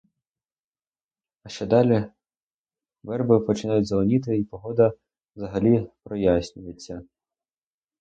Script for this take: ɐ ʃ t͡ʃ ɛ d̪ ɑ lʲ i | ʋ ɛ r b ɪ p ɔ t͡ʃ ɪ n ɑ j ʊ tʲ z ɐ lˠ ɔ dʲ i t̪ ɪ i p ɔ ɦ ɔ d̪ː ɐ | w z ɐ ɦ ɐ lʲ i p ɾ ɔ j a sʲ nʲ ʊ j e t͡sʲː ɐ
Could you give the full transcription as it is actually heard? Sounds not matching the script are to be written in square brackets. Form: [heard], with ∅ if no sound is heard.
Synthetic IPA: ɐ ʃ t͡ʃ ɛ d̪ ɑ lʲ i | ʋ ɛ r b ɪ p ɔ t͡ʃ ɪ n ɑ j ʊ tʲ z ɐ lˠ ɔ [nʲ] i t̪ ɪ i p ɔ ɦ ɔ [d̪] ɐ | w z ɐ ɦ ɐ lʲ i p ɾ ɔ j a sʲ nʲ ʊ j e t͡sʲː ɐ

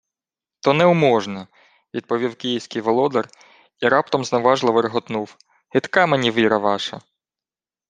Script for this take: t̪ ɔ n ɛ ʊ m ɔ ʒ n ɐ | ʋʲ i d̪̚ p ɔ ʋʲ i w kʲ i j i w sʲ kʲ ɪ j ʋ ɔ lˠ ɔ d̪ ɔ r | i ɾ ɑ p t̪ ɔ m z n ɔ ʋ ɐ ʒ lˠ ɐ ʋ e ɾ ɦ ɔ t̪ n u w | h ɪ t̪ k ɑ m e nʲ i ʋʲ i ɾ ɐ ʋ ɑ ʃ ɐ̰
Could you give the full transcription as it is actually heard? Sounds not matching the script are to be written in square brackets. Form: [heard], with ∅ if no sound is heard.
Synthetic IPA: t̪ ɔ n ɛ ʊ m ɔ ʒ n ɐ | ʋʲ i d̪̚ p ɔ ʋʲ i w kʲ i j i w sʲ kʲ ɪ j ʋ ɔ lˠ ɔ d̪ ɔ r | i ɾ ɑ p t̪ ɔ m z n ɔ ʋ [ɑ] ʒ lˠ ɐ ʋ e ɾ ɦ ɔ t̪ n u w | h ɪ t̪ k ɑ m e nʲ i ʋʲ i ɾ ɐ ʋ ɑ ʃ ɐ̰

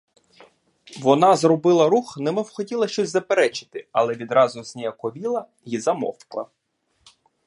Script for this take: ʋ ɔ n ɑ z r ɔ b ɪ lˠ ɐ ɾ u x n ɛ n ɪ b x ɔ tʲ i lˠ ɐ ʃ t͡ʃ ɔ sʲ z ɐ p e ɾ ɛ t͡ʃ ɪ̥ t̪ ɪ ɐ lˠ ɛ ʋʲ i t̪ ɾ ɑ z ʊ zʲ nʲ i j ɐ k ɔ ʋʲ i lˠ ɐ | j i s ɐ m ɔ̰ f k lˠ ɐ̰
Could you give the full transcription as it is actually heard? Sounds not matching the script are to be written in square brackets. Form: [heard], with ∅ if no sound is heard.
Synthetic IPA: ʋ ɔ n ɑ z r ɔ b ɪ lˠ ɐ ɾ u x n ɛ [m] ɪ [w] x ɔ tʲ i lˠ ɐ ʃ t͡ʃ ɔ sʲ z ɐ p e ɾ ɛ t͡ʃ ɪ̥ t̪ ɪ ɐ lˠ ɛ ʋʲ i [d̪] ɾ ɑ z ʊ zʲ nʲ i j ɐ k ɔ ʋʲ i lˠ ɐ | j i [z] ɐ m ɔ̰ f k lˠ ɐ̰

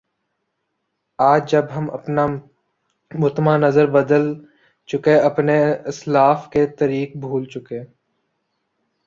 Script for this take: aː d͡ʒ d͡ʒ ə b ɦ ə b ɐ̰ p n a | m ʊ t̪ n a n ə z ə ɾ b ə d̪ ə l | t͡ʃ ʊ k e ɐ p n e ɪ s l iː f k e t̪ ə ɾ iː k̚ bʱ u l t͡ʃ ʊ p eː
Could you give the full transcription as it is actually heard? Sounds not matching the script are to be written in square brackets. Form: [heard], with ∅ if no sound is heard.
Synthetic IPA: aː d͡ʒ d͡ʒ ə b ɦ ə [m] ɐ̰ p n a | m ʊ t̪ [m] a n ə z ə ɾ b ə d̪ ə l | t͡ʃ ʊ k e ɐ p n e ɪ s l [aː] f k e t̪ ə ɾ iː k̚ bʱ [uː] l t͡ʃ ʊ [k] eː

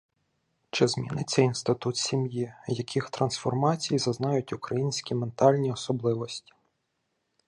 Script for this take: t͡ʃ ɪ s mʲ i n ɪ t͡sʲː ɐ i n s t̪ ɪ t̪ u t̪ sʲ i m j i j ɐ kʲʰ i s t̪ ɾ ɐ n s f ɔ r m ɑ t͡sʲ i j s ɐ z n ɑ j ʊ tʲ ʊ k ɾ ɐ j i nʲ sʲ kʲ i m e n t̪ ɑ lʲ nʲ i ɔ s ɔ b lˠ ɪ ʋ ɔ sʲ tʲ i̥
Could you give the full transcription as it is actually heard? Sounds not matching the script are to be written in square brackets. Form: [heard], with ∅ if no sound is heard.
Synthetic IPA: t͡ʃ ɪ [z] mʲ i n ɪ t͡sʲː ɐ i n s t̪ ɪ t̪ u t̪ sʲ i m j i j ɐ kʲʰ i [x] t̪ ɾ ɐ n s f ɔ r m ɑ t͡sʲ i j [z] ɐ z n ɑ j ʊ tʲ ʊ k ɾ ɐ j i nʲ sʲ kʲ i m e n t̪ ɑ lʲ nʲ i ɔ s ɔ b lˠ ɪ ʋ ɔ sʲ tʲ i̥

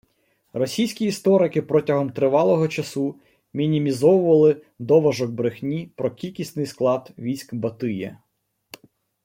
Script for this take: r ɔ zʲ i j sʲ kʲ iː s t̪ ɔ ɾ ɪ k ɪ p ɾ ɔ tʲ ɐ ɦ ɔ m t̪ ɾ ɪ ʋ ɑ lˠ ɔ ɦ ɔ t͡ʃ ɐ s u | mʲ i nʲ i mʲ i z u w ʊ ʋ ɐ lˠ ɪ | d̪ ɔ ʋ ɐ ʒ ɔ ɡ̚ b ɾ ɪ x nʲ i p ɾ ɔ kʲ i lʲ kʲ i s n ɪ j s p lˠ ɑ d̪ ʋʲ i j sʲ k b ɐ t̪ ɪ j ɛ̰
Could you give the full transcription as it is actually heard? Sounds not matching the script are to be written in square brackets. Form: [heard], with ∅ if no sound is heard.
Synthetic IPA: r ɔ [sʲ] i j sʲ kʲ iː s t̪ ɔ ɾ ɪ k ɪ p ɾ ɔ tʲ ɐ ɦ ɔ m t̪ ɾ ɪ ʋ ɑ lˠ ɔ ɦ ɔ t͡ʃ ɐ s u | mʲ i nʲ i mʲ i z [ɔ] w ʊ ʋ ɐ lˠ ɪ | d̪ ɔ ʋ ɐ ʒ ɔ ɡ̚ b ɾ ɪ x nʲ i p ɾ ɔ kʲ i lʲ kʲ i s n ɪ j s [k] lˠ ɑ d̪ ʋʲ i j sʲ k b ɐ t̪ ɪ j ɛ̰

